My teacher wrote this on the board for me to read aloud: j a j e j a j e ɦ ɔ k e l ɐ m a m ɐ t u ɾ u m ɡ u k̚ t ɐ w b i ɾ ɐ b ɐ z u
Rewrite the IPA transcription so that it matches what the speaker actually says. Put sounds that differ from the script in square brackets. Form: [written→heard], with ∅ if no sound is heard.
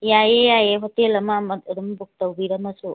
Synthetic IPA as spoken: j a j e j a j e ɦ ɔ [k→t] e l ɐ m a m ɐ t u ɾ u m [ɡ→b] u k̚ t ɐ w b i ɾ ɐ [b→m] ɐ [z→s] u

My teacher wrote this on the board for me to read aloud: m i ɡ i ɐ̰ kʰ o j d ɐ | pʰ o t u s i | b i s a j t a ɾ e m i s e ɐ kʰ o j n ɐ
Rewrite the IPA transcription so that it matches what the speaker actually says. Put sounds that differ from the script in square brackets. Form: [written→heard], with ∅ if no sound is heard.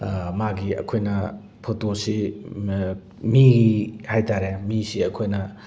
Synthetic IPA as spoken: m [i→a] ɡ i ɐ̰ kʰ o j [d→n] ɐ | pʰ o t [u→o] s i | [b→m] i [s→h] a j t a ɾ e m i s [e→i] ɐ kʰ o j n ɐ

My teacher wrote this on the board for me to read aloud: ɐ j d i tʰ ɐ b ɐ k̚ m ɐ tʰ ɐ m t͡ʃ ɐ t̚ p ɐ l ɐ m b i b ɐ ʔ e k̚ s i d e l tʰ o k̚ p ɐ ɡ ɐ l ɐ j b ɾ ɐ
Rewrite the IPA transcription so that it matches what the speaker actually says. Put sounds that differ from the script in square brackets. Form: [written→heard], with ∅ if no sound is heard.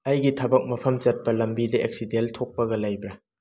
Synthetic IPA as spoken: ɐ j [d→ɡ] i tʰ ɐ b ɐ k̚ m ɐ [tʰ→pʰ] ɐ m t͡ʃ ɐ t̚ p ɐ l ɐ m b i [b→d] ɐ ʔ e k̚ s i d e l tʰ o k̚ p ɐ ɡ ɐ l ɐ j b ɾ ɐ

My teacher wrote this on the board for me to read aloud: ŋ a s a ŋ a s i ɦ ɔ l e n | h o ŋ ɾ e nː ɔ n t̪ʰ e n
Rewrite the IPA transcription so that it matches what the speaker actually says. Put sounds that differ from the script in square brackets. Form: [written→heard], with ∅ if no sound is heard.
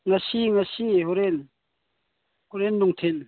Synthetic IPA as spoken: ŋ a s [a→i] ŋ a s i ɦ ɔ [l→ɾ] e n | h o [ŋ→∅] ɾ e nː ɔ [n→ŋ] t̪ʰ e n

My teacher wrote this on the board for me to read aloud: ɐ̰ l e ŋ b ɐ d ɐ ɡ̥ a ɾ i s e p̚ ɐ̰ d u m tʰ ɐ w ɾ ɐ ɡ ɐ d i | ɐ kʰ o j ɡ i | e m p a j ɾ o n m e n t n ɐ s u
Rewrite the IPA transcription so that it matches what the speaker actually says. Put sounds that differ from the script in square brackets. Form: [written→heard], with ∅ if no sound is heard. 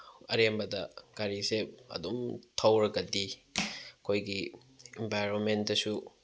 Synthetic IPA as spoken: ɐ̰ [l→ɾ] e [ŋ→m] b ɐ d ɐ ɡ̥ a ɾ i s e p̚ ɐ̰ d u m tʰ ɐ w ɾ ɐ ɡ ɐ d i | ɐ kʰ o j ɡ i | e m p a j ɾ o n m e n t [n→d] ɐ s u

